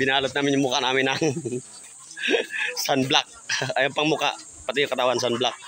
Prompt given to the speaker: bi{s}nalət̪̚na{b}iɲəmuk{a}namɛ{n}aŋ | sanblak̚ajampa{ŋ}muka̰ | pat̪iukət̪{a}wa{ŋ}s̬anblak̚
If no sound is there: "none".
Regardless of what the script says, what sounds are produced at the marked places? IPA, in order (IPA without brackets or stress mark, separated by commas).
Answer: none, m, a, n, ŋ, a, n